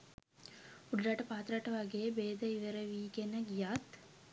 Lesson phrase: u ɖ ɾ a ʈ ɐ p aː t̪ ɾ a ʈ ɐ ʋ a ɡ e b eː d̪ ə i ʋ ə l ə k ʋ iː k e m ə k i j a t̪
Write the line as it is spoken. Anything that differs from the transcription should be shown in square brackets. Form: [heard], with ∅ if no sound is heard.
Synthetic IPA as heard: u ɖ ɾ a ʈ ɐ p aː t̪ ɾ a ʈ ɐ ʋ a ɡ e b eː d̪ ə i ʋ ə [ɾ] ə [∅] ʋ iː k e [n] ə [ɡ] i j a t̪